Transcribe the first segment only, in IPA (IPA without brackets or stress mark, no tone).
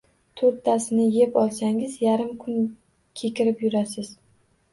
t̪ʰ